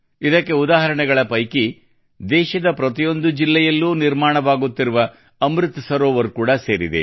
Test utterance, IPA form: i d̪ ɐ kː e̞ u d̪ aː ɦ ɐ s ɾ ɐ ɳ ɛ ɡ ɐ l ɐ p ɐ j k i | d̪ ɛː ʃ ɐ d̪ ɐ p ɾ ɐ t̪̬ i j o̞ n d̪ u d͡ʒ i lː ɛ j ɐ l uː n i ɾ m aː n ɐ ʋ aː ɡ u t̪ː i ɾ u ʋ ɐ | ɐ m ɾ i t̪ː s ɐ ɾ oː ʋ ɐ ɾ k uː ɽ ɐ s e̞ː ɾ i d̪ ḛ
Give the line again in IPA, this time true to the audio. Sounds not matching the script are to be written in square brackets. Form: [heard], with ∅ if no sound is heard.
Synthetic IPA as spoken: i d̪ ɐ kː e̞ u d̪ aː ɦ ɐ [∅] ɾ ɐ ɳ ɛ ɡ ɐ [ɭ] ɐ p ɐ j k i | d̪ ɛː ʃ ɐ d̪ ɐ p ɾ ɐ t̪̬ i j o̞ n d̪ u d͡ʒ i lː ɛ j ɐ [lː] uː n i ɾ m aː [ɳ] ɐ ʋ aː ɡ u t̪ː i ɾ u ʋ ɐ | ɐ m ɾ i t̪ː s ɐ ɾ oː ʋ ɐ ɾ k uː ɽ ɐ s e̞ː ɾ i d̪ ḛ